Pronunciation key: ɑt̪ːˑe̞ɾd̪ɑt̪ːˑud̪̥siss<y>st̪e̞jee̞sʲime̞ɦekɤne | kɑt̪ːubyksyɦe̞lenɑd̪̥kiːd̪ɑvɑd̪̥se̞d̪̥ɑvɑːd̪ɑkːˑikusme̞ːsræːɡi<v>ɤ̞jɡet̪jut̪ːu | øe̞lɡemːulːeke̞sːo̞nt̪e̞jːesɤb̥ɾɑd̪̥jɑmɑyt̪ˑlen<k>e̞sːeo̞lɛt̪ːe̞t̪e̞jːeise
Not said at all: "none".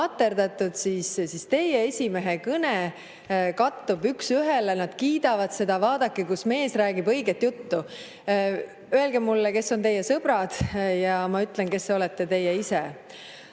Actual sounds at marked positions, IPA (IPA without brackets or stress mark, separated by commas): i, b, k